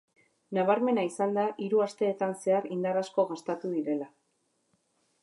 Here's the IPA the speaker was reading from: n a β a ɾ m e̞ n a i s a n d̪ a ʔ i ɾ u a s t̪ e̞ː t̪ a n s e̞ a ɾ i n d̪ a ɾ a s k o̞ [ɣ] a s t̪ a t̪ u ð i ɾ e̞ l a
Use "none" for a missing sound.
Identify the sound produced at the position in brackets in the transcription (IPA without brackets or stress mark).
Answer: ɣ